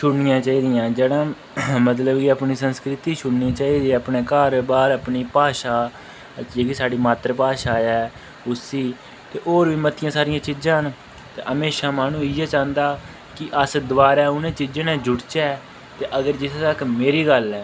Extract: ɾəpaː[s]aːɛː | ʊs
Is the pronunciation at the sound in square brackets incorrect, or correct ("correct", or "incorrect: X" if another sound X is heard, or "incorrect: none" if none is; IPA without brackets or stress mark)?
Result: incorrect: ʃ